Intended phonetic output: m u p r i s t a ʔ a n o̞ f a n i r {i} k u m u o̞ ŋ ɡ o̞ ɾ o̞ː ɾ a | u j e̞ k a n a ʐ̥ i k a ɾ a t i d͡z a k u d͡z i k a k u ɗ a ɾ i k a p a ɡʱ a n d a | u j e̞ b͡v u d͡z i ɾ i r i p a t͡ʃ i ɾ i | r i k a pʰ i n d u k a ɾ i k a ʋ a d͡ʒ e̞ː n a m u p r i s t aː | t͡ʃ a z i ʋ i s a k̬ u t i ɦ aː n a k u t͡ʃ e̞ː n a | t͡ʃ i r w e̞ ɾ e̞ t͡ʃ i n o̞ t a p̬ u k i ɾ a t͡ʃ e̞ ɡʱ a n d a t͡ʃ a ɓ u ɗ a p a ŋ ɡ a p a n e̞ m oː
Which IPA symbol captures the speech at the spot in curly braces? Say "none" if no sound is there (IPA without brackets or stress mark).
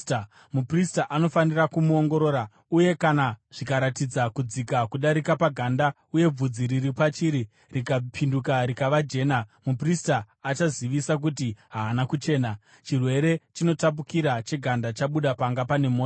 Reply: a